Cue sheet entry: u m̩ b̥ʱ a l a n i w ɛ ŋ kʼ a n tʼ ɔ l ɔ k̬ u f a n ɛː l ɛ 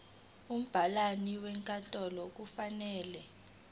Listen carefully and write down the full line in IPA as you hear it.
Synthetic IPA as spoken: u m̩ b̥ʱ a l a n i w ɛ ŋ kʼ a n tʼ ɔ l ɔ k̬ u f a n ɛː l ɛ